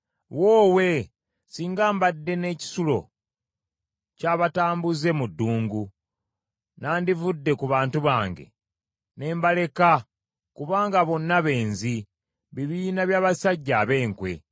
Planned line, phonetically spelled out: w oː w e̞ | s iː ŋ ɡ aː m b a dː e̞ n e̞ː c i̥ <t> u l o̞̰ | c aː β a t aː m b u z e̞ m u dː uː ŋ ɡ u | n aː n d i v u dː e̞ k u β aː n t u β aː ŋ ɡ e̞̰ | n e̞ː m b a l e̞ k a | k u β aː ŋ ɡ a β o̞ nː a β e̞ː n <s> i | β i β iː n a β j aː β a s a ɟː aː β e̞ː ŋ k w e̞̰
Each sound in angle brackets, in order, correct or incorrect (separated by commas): incorrect, incorrect